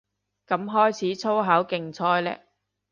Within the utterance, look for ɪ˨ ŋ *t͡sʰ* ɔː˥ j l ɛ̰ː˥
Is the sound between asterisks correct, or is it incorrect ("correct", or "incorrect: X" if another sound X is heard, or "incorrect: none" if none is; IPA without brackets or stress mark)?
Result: correct